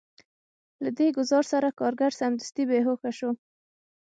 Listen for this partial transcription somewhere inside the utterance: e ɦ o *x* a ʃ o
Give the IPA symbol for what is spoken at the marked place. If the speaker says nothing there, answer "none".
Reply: x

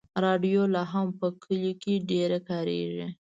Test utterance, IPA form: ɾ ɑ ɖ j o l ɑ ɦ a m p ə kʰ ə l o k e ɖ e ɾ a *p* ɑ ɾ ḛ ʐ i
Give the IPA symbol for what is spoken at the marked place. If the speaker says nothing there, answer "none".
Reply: k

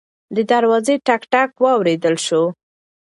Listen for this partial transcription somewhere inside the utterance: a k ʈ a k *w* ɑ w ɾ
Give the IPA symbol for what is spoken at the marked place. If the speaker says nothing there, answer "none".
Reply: w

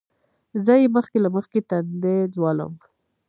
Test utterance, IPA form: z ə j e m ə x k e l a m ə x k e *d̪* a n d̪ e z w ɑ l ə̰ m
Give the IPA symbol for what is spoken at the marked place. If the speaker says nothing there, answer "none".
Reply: t̪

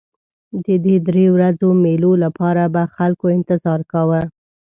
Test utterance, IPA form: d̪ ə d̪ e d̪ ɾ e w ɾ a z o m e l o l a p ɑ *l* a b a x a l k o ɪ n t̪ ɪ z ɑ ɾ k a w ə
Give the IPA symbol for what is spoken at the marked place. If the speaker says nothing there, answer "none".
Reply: ɾ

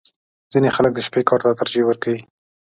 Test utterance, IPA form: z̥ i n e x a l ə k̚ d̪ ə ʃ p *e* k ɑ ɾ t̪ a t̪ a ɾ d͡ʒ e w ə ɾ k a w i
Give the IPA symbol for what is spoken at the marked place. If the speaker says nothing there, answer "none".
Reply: e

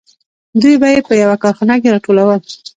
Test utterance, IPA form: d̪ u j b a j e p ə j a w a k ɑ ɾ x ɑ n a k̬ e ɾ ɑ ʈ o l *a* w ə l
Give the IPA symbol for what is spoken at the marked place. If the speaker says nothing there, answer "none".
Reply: a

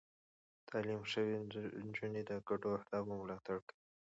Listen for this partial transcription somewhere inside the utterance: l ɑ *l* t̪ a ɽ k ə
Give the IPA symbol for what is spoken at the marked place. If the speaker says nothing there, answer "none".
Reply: none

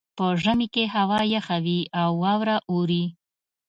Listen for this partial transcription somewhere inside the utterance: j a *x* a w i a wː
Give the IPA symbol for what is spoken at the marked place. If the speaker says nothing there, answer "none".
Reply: x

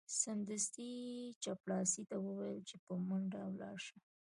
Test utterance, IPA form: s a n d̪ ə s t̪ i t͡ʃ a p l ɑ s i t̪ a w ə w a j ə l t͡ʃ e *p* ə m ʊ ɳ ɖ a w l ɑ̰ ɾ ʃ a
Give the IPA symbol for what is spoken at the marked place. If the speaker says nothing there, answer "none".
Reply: p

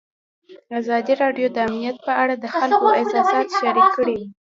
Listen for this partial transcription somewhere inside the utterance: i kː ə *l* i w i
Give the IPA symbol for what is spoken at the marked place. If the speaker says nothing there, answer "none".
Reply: ɽ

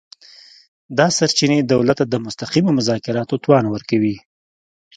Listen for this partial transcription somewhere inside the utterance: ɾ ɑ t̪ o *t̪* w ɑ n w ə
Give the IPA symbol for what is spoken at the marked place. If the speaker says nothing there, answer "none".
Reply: t̪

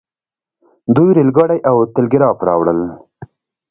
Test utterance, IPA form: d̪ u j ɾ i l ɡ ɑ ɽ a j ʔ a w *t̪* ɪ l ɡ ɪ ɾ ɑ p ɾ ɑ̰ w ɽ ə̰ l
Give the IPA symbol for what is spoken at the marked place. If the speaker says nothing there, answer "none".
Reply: t̪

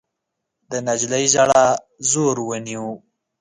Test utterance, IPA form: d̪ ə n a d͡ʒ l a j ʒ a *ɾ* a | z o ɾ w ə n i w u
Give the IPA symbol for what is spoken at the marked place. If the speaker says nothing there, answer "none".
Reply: ɽ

